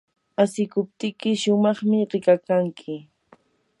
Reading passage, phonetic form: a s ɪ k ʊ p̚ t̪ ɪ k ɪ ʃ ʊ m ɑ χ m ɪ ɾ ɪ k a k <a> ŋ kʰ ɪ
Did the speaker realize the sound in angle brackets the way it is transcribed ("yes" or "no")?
yes